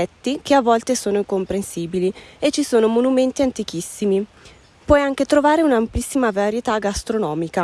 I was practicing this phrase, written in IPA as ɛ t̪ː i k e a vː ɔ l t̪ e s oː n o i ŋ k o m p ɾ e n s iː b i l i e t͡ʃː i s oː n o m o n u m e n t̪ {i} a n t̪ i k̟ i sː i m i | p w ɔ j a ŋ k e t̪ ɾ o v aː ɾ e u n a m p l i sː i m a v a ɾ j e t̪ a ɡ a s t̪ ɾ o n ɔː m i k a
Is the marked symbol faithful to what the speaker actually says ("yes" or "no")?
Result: yes